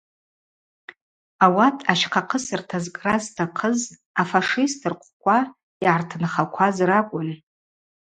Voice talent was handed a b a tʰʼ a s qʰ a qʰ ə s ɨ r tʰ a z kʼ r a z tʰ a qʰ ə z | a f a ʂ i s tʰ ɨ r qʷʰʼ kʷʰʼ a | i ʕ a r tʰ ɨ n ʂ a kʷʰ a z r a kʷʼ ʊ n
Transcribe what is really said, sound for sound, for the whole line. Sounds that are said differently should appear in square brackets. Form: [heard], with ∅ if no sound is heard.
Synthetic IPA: a [w] a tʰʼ a [ʃ] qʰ a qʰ ə s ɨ r tʰ a z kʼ r a z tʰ a qʰ ə z | a f a ʂ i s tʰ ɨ r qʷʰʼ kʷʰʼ a | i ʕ a r tʰ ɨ n [χ] a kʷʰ a z r a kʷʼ ʊ n